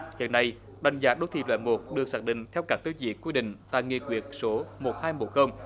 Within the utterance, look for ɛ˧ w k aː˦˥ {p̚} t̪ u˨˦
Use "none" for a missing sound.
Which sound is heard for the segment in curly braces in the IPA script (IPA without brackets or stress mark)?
k̚